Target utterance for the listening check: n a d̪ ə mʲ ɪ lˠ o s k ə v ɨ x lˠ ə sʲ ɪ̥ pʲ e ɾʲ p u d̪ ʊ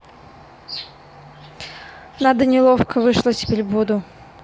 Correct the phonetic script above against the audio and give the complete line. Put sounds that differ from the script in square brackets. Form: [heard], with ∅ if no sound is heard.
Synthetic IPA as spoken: n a d̪ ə [nʲ] ɪ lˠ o [f] k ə v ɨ [ʂ] lˠ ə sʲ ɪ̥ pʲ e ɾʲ [b] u d̪ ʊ